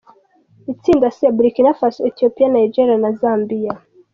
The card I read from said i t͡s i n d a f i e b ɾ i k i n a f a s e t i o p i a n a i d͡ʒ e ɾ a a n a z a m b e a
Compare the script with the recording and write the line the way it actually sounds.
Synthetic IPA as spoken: i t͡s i n d a s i a b ɾ i k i n a f a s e t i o p i a n a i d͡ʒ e ɾ i a n a z a m b i a